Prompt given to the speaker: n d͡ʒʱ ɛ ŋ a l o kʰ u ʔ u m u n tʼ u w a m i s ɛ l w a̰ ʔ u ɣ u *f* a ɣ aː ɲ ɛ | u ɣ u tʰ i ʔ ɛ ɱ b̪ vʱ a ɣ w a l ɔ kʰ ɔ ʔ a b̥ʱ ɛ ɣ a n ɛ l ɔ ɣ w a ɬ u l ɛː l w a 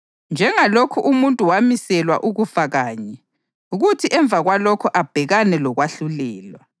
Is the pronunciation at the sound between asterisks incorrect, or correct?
correct